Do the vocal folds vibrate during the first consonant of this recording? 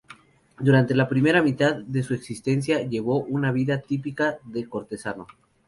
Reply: yes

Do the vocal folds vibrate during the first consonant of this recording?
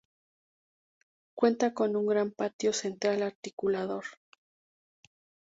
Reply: no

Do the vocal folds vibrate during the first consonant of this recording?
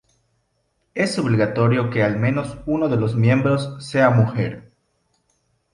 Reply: no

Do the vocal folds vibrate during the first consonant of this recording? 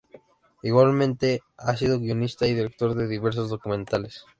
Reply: yes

